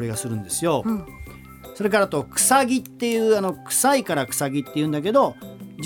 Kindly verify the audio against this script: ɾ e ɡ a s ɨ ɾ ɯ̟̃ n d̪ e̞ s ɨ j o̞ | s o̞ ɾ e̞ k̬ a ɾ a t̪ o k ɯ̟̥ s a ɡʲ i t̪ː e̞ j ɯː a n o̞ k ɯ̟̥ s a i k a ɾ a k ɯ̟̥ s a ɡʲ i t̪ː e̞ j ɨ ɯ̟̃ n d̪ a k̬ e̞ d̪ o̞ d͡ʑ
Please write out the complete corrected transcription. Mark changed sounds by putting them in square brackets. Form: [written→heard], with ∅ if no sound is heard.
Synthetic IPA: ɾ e ɡ a s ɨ ɾ ɯ̟̃ n d̪ e̞ s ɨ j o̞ | s o̞ ɾ e̞ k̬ a ɾ a t̪ o k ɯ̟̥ s a ɡʲ i t̪ː e̞ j ɯː a n o̞ k ɯ̟̥ s a i k a ɾ a k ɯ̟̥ s a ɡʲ i t̪ː e̞ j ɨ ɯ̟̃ n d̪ a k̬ e̞ d̪ o̞ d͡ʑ